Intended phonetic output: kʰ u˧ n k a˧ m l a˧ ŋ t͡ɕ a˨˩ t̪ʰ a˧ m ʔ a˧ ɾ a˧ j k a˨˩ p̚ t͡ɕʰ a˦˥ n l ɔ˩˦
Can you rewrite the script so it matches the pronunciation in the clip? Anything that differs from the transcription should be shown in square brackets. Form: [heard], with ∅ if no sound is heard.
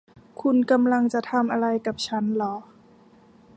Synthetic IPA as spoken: kʰ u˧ n k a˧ m l a˧ ŋ t͡ɕ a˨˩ t̪ʰ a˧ m ʔ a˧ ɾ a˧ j k a˨˩ p̚ t͡ɕʰ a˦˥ n l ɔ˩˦